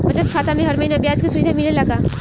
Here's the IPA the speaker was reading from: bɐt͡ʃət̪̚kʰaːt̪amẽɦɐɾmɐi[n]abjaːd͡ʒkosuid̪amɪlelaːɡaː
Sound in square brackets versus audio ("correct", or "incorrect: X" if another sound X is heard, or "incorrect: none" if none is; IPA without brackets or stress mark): correct